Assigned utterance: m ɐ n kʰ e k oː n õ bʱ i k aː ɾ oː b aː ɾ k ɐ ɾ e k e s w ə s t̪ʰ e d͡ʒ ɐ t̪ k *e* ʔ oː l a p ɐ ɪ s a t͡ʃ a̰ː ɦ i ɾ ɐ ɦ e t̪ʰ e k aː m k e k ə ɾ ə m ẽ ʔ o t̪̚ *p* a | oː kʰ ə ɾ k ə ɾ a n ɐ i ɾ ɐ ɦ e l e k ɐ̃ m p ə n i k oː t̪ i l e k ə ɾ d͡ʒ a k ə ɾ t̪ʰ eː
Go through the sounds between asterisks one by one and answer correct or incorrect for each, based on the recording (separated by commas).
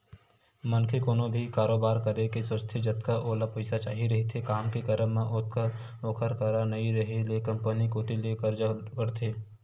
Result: incorrect, incorrect